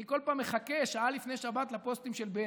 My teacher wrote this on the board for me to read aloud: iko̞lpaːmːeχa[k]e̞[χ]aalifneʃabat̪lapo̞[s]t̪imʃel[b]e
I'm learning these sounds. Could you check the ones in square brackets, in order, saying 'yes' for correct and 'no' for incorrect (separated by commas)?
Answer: yes, no, yes, yes